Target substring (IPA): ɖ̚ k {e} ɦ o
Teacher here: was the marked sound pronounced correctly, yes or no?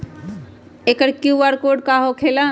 no